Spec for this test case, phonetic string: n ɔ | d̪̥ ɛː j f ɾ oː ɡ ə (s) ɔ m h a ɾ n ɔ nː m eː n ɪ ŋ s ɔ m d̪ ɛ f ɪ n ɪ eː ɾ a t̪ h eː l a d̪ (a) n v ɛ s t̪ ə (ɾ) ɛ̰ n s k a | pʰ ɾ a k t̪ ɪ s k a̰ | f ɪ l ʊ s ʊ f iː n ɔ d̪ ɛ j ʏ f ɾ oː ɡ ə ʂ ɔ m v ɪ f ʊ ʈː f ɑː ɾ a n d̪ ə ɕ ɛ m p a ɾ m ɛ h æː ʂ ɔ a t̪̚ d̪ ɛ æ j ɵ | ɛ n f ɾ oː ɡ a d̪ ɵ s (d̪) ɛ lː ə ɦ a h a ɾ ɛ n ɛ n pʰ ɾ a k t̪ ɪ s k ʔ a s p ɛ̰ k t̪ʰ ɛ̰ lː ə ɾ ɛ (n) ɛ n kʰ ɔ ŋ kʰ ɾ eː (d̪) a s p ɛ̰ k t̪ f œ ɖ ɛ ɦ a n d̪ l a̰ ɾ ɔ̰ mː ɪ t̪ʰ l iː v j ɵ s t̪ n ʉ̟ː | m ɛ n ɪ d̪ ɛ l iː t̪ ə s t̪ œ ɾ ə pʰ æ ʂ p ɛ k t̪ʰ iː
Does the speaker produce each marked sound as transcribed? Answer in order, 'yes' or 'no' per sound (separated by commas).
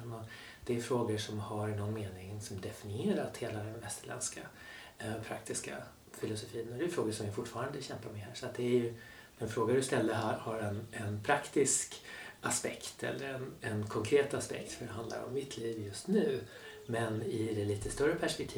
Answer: no, no, no, no, yes, no